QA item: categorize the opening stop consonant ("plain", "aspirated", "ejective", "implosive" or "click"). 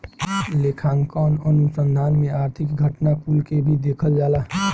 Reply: aspirated